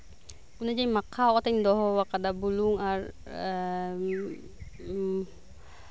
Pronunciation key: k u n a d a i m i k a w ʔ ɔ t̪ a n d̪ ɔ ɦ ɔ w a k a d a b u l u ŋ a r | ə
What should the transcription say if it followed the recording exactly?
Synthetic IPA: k u n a d͡ʒ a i m a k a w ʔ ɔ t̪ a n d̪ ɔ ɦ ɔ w a k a d a b u l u ŋ a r | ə

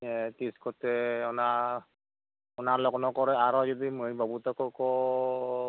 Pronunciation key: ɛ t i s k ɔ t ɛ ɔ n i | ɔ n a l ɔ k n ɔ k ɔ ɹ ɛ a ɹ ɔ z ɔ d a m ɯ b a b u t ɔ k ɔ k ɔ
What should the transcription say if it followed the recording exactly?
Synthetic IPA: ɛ t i s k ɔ t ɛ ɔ n a | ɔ n a l ɔ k n ɔ k ɔ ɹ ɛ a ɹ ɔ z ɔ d i m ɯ b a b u t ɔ k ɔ k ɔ

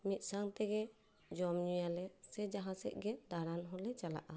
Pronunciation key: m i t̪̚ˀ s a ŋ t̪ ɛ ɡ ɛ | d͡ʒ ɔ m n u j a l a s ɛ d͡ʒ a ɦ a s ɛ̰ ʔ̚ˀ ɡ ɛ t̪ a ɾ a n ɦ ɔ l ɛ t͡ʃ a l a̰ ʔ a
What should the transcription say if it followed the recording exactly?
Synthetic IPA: m i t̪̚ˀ s a ŋ t̪ ɛ ɡ ɛ | d͡ʒ ɔ m ɲ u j a l ɛ s ɛ d͡ʒ a ɦ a s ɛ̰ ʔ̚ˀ ɡ ɛ d̪ a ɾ a n ɦ ɔ l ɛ t͡ʃ a l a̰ ʔ a

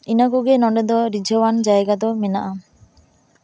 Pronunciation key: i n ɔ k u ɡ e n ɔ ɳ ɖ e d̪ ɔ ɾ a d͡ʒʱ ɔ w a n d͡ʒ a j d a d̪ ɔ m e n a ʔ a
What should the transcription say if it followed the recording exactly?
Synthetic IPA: i n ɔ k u ɡ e n ɔ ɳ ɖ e d̪ ɔ ɾ i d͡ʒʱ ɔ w a n d͡ʒ a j ɡ a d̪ ɔ m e n a ʔ a

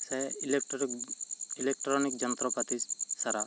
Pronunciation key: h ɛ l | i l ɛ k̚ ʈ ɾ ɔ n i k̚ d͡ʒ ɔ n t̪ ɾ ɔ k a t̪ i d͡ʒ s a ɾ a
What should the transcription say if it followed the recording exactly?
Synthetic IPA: s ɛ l | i l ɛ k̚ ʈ ɾ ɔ n i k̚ d͡ʒ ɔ n t̪ ɾ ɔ p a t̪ i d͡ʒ s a ɾ a

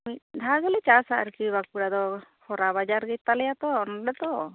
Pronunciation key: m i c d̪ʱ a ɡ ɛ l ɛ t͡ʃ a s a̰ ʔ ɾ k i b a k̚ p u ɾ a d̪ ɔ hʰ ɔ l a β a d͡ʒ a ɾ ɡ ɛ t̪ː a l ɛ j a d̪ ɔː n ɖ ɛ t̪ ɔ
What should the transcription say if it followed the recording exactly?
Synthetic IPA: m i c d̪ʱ a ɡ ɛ l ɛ t͡ʃ a s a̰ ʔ ɾ k i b a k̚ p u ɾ a d̪ ɔ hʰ ɔ ɾ a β a d͡ʒ a ɾ ɡ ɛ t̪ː a l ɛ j a t̪ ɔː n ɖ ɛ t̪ ɔ

